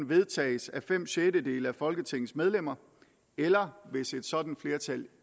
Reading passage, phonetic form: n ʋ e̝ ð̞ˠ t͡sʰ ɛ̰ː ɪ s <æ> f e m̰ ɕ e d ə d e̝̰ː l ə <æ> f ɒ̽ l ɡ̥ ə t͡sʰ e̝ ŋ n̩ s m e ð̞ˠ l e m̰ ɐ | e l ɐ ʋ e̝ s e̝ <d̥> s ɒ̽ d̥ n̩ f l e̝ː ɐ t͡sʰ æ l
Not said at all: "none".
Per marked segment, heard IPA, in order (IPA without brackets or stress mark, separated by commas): æ, æ, d̥